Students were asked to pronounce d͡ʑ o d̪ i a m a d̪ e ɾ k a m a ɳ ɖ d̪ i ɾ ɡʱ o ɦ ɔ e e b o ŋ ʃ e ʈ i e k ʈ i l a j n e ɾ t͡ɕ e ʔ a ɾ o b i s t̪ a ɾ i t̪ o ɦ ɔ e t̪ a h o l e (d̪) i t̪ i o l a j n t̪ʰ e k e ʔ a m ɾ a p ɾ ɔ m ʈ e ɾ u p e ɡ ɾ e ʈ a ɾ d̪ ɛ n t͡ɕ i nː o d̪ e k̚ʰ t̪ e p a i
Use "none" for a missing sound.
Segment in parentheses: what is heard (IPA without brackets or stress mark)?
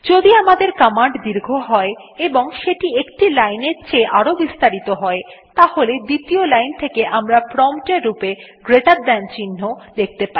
d̪